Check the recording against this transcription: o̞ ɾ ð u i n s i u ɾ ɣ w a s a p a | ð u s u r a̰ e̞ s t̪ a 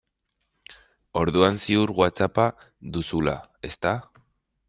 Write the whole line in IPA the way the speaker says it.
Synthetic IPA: o̞ ɾ ð u a n s i u ɾ ɣ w a t͡s a p a | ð u s u l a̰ e̞ s t̪ a